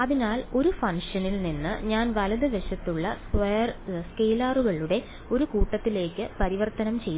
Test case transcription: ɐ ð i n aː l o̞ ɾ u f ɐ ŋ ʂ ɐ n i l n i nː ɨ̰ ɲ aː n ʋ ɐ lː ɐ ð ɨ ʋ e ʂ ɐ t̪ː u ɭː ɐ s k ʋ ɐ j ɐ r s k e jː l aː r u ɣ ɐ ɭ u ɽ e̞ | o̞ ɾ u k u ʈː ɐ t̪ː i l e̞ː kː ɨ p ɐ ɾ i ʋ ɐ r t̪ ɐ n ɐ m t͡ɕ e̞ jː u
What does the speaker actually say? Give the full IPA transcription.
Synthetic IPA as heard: ɐ ð i n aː l o̞ ɾ u f ɐ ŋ ʂ ɐ n i l n i nː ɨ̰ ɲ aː n ʋ ɐ l ɐ ð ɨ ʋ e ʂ ɐ t̪ː u ɭː ɐ s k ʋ ɐ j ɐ r s k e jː l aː r u ɣ ɐ ɭ u ɽ e̞ | o̞ ɾ u k uː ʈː ɐ t̪ː i l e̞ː kː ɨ p ɐ ɾ i ʋ ɐ r t̪ ɐ n ɐ m t͡ɕ e̞ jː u